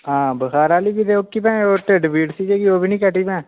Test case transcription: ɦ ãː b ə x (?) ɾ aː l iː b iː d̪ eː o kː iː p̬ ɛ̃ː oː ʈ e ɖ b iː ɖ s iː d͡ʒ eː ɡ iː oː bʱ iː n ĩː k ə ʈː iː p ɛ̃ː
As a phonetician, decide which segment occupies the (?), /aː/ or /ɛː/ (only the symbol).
aː